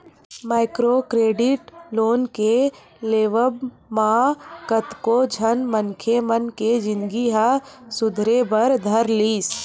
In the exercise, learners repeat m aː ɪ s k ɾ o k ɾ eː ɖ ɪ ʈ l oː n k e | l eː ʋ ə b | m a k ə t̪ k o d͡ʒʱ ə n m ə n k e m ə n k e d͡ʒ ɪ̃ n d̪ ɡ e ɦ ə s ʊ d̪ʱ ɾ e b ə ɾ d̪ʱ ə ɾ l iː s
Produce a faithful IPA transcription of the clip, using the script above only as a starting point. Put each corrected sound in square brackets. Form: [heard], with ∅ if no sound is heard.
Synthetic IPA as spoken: m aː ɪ [∅] k ɾ o k ɾ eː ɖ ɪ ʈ l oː n k e | l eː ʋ ə b | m a k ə t̪ k o d͡ʒʱ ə n m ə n [kʰ] e m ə n k e d͡ʒ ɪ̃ n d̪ ɡ [i] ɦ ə s ʊ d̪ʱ ɾ e b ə ɾ d̪ʱ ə ɾ l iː s